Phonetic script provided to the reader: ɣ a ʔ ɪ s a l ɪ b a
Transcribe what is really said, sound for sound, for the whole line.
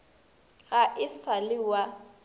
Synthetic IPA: ɣ a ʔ ɪ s a l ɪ w a